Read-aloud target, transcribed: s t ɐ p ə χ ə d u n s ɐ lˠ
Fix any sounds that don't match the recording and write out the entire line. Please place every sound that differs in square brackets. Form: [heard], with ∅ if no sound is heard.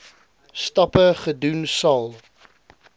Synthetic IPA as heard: s t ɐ p ə χ ə d u n s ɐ lˠ